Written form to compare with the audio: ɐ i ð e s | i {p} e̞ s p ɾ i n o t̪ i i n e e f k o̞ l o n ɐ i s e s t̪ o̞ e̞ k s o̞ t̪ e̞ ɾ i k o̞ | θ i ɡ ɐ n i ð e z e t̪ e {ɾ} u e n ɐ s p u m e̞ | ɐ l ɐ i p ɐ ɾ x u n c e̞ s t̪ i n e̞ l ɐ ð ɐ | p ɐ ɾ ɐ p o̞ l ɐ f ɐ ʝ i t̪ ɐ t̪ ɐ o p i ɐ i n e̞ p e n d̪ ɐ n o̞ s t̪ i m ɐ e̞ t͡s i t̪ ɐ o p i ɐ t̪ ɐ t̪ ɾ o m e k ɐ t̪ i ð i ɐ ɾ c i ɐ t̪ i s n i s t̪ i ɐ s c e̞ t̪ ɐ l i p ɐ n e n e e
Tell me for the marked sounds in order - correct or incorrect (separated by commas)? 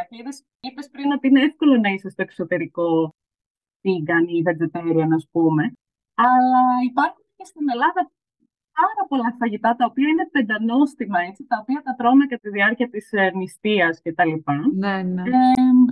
correct, correct